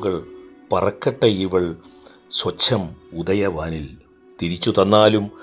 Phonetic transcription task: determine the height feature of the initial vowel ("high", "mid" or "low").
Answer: low